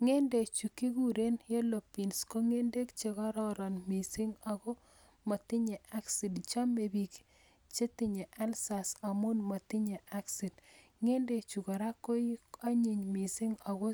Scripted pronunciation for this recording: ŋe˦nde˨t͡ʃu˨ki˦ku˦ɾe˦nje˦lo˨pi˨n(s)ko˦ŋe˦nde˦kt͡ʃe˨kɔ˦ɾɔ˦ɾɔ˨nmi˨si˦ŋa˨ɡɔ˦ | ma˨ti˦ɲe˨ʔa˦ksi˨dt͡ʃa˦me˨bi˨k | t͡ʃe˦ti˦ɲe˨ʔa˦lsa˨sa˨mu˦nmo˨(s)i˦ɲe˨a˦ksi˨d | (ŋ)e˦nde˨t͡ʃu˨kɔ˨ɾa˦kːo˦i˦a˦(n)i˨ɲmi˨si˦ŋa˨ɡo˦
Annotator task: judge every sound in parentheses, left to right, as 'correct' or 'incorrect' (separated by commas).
correct, incorrect, correct, incorrect